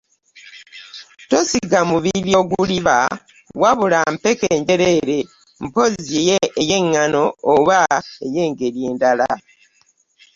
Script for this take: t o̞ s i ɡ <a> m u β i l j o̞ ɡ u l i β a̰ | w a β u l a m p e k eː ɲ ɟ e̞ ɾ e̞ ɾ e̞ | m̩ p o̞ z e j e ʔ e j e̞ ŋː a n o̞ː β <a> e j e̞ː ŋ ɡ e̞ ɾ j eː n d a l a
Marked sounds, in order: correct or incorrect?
correct, correct

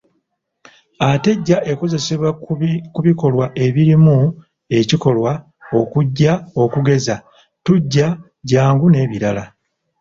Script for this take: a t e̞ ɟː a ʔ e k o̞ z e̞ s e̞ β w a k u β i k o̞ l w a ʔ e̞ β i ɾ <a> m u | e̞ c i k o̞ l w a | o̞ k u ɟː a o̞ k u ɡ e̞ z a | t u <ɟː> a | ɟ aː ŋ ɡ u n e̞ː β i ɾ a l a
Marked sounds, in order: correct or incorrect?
incorrect, correct

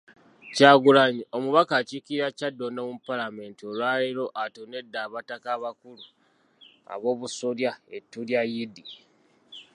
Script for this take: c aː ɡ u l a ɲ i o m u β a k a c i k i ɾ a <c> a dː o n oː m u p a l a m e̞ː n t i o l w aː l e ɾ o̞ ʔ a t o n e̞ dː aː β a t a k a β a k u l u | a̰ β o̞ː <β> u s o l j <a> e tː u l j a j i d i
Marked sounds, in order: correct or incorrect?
correct, correct, correct

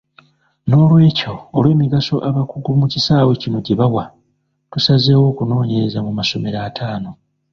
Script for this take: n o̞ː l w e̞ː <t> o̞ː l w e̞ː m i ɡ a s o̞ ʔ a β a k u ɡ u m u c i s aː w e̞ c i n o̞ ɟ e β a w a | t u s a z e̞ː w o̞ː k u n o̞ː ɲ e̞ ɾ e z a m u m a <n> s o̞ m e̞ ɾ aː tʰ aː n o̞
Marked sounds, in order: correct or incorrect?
incorrect, incorrect

